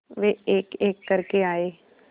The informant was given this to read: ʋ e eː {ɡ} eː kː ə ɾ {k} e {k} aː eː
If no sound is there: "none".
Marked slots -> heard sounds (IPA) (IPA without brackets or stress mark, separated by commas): k, k, none